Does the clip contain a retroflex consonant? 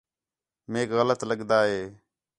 no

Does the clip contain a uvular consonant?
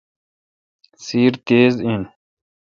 no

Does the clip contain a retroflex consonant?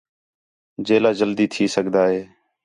no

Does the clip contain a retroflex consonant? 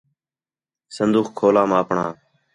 yes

